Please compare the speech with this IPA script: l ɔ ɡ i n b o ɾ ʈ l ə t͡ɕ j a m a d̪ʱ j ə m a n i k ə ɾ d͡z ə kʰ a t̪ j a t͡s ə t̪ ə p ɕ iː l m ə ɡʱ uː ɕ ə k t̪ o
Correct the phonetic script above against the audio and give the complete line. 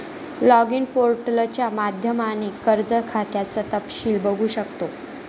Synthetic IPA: l ɔ ɡ i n p o ɾ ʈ l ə t͡ɕ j a m a d̪ʱ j ə m a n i k ə ɾ d͡z ə kʰ a t̪ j a t͡s ə t̪ ə p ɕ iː l b ə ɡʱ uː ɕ ə k t̪ o

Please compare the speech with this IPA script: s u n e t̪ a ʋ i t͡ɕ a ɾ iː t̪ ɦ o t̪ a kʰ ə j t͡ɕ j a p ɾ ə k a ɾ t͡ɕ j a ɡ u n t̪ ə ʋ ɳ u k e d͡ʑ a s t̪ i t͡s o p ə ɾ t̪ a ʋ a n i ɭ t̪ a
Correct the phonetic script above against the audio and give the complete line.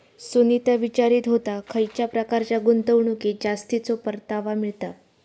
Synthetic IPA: s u n i t̪ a ʋ i t͡ɕ a ɾ iː t̪ ɦ o t̪ a kʰ ə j t͡ɕ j a p ɾ ə k a ɾ t͡ɕ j a ɡ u n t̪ ə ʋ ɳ u k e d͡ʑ a s t̪ i t͡s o p ə ɾ t̪ a ʋ a m i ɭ t̪ a

